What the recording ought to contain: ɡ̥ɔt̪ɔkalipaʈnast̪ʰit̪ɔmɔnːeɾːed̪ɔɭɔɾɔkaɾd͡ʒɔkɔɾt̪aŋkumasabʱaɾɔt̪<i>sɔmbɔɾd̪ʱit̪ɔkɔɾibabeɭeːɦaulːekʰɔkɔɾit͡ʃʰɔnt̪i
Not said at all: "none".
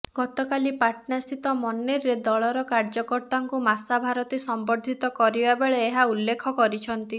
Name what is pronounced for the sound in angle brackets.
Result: i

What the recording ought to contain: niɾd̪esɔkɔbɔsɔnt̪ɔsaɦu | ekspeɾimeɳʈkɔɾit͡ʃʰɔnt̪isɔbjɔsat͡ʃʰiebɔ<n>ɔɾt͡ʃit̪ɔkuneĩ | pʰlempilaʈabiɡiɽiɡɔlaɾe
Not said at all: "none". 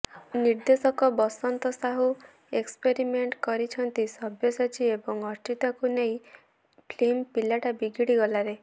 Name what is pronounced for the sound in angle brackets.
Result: ŋ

